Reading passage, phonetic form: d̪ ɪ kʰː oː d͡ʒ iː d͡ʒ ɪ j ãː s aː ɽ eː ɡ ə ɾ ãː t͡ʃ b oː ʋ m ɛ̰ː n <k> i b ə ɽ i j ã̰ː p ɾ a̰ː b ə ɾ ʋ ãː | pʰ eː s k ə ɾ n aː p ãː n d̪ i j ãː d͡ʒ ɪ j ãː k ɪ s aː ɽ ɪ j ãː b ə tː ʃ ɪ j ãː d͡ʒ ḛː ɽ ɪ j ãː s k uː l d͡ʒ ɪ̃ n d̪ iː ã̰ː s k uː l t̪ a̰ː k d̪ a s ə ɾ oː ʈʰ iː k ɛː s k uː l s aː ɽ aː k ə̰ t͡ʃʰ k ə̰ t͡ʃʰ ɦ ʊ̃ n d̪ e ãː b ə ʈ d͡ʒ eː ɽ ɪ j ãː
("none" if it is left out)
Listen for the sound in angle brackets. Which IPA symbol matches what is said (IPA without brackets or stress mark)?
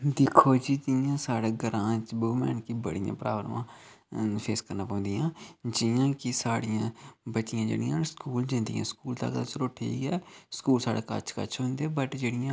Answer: k